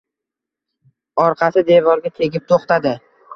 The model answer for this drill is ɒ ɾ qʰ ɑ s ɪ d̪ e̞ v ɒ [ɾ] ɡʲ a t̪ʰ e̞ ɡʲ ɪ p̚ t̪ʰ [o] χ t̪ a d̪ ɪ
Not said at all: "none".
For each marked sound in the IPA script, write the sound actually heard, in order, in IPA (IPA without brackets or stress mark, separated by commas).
ɾ, o